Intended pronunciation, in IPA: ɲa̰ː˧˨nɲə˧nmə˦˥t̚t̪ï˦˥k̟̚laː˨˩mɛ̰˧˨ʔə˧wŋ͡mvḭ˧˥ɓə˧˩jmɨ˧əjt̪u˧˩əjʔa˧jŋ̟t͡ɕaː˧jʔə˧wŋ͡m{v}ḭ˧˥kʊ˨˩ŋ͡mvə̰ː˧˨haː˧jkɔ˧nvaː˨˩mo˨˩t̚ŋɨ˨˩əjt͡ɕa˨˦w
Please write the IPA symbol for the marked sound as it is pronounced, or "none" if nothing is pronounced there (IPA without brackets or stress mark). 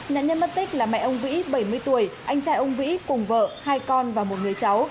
v